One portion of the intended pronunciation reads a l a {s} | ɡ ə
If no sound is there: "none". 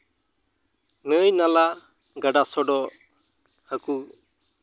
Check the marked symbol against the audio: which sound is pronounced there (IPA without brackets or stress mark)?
none